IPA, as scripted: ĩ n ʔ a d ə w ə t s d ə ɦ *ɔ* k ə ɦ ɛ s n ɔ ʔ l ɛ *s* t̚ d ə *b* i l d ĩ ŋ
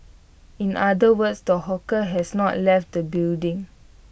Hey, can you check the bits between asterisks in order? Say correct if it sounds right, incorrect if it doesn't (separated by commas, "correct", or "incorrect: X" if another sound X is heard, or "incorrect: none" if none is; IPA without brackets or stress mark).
correct, incorrect: f, correct